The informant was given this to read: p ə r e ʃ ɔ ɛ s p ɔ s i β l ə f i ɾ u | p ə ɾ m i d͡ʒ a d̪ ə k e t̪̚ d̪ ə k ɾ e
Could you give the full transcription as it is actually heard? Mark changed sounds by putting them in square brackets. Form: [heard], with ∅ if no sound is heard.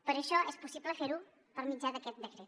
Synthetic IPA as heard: p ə [ɾ] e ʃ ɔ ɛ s p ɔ s i [b] l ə f [e] ɾ u | p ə ɾ m i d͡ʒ a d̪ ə k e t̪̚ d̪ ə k ɾ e